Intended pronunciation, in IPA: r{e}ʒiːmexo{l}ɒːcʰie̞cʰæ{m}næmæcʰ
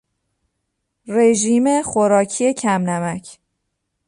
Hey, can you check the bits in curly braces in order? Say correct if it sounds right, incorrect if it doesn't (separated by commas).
correct, incorrect, correct